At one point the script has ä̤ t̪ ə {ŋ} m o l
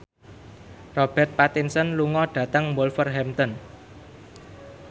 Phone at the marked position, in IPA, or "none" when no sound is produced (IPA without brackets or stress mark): ŋ